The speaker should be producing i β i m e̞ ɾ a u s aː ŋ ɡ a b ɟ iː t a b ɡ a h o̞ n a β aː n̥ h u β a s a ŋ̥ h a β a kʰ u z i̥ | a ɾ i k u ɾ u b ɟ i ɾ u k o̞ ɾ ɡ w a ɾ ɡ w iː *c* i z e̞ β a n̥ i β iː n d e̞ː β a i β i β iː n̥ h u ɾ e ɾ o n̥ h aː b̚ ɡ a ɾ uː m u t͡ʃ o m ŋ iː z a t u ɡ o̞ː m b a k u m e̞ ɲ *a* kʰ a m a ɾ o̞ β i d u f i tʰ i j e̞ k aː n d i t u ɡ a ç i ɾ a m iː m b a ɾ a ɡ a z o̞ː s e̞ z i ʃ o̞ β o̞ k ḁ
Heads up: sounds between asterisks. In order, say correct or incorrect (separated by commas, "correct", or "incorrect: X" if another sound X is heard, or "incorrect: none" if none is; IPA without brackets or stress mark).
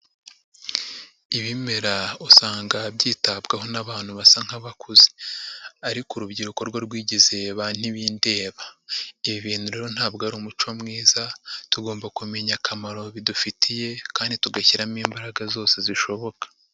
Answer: incorrect: ɟ, correct